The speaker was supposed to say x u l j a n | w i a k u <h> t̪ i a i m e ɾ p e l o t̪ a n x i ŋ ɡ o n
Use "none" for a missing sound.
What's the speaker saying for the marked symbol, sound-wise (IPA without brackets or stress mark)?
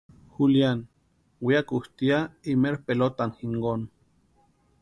h